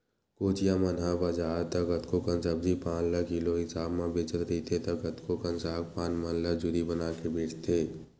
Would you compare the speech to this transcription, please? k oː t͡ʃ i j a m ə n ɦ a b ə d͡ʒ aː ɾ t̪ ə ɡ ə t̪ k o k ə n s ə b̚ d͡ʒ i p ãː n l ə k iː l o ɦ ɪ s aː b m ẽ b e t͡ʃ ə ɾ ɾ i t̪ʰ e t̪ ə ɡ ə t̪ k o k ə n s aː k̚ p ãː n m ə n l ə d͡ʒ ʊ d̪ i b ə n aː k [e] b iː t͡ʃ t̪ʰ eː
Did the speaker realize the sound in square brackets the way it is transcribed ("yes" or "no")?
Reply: yes